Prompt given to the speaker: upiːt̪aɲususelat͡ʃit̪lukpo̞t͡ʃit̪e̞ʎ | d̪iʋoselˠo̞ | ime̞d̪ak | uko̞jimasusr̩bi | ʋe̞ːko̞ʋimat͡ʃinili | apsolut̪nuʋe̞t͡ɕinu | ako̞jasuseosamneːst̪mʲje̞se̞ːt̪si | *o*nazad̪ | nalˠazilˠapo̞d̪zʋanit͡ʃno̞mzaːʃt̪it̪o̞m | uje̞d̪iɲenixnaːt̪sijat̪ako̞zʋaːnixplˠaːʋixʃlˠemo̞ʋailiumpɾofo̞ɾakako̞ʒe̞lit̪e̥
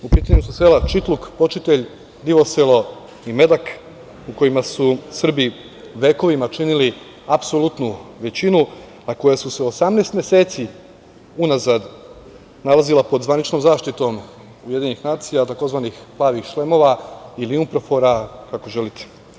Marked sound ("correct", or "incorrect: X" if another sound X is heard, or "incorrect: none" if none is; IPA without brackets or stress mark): incorrect: u